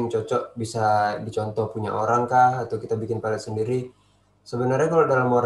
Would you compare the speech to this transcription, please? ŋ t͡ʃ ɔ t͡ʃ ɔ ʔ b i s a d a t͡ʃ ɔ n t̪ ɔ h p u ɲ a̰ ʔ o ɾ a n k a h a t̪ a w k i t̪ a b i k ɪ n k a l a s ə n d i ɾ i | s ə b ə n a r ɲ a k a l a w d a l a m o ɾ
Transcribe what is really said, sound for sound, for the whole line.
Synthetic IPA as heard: ŋ t͡ʃ ɔ t͡ʃ ɔ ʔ b i s a d i t͡ʃ ɔ n t̪ ɔ h p u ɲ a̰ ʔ o ɾ a ŋ k a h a t̪ a w k i t̪ a b i k ɪ n p a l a s ə n d i ɾ i | s ə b ə n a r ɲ a k a l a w d a l a m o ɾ